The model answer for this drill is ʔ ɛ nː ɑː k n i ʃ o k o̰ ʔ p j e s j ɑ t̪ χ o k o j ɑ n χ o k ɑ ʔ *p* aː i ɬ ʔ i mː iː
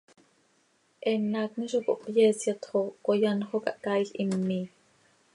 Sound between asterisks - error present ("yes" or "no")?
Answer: yes